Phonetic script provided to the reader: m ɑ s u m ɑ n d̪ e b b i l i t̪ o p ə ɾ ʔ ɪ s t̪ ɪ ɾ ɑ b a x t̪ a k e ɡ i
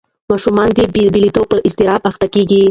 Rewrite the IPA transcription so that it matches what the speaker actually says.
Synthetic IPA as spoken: m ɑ ʃ u m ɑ n d̪ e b b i l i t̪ o p ə ɾ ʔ ɪ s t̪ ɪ ɾ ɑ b a x t̪ a k e ɡ i